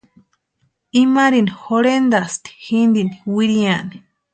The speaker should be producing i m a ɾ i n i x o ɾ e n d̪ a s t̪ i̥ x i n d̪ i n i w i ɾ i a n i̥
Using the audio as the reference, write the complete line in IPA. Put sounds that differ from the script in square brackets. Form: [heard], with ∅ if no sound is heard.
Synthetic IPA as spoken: i m a ɾ i n i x o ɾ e n d̪ a s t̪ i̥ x i n d̪ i n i w i ɾ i a n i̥